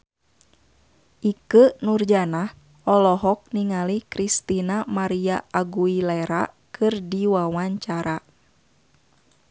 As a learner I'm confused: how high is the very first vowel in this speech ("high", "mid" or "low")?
high